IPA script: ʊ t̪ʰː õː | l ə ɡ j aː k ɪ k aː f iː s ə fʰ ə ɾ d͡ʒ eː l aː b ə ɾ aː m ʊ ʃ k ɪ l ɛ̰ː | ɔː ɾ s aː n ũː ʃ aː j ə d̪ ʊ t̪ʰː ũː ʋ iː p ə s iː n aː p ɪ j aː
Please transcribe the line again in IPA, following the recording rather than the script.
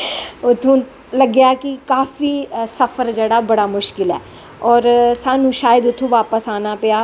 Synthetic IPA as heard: ʊ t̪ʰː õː | l ə ɡ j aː k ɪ k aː f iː s ə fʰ ə ɾ d͡ʒ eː ɽ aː b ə ɽ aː m ʊ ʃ k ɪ l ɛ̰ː | ɔː ɾ s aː n ũː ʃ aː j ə d̪ ʊ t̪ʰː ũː ʋ aː p ə s aː n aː p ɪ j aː